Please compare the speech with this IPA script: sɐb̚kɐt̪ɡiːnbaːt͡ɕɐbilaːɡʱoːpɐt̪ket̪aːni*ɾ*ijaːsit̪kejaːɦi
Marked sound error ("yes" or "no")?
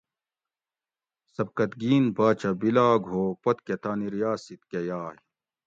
no